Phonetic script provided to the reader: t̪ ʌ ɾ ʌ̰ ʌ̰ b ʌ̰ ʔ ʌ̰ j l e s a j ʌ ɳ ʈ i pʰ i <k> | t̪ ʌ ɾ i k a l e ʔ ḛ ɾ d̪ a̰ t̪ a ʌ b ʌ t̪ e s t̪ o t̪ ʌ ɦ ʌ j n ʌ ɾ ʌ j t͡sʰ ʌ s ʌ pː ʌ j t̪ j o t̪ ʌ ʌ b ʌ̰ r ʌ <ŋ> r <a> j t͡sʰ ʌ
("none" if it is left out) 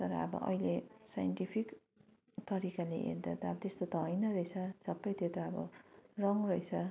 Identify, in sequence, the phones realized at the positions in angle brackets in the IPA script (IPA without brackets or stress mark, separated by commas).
k, ŋ, ʌ